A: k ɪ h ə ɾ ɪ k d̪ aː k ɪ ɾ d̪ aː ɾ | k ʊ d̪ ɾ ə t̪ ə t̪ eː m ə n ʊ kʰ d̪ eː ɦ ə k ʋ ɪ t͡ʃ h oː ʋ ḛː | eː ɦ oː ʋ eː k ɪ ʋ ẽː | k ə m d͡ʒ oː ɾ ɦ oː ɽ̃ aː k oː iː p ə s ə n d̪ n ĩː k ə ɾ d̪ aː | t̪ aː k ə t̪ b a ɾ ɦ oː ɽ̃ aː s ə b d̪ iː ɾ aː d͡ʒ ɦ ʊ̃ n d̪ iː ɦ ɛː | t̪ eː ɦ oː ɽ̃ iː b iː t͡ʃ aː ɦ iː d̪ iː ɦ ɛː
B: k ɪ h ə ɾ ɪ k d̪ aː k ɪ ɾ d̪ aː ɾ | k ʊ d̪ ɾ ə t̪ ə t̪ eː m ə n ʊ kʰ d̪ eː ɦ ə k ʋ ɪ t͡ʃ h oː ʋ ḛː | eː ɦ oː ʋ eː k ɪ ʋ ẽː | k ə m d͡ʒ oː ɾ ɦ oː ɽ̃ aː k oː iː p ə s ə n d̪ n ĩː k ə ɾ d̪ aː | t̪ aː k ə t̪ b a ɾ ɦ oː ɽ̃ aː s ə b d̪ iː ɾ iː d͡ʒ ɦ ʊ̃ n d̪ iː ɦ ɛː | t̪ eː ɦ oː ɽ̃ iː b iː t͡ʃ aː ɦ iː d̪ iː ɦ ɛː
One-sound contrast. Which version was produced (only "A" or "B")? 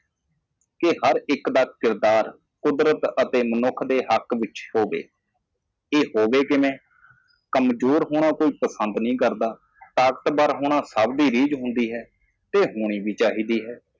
B